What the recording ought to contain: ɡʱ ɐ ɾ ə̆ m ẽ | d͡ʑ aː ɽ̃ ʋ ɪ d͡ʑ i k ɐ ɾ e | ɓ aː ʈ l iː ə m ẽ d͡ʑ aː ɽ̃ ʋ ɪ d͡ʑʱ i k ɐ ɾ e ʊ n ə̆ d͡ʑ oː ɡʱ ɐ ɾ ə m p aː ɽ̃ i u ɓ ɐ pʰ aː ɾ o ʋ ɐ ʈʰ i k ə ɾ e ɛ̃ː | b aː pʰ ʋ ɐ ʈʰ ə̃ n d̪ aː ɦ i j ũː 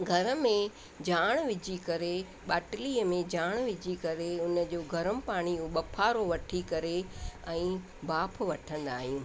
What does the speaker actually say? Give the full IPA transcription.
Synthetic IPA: ɡʱ ɐ ɾ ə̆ m ẽ | d͡ʑ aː ɽ̃ ʋ ɪ d͡ʑ i k ɐ ɾ e | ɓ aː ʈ l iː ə m ẽ d͡ʑ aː ɽ̃ ʋ ɪ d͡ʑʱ i k ɐ ɾ e ʊ n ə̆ d͡ʑ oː ɡʱ ɐ ɾ ə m p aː ɽ̃ i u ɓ ɐ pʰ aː ɾ o ʋ ɐ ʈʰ i k ɐ ɾ e ɛ̃ː | b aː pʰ ʋ ɐ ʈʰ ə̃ n d̪ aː ɦ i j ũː